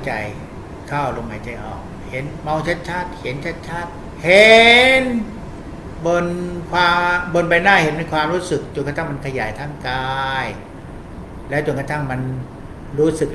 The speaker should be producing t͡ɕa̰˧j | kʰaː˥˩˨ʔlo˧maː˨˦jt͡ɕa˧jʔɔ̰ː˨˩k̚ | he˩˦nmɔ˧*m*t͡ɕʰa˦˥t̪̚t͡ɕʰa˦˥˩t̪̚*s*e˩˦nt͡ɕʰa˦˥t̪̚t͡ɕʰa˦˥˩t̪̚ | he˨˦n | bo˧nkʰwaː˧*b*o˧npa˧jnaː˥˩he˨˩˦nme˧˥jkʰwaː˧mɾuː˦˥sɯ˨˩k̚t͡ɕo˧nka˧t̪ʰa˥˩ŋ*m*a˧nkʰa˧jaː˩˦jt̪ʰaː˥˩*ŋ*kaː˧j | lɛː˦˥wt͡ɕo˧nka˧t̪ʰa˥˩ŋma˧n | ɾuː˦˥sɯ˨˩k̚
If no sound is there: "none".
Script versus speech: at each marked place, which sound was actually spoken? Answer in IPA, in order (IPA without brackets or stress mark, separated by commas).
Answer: ŋ, h, b, m, ŋ